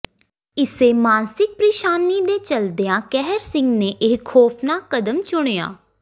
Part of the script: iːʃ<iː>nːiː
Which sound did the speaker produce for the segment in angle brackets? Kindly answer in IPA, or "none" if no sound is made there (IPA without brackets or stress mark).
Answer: aː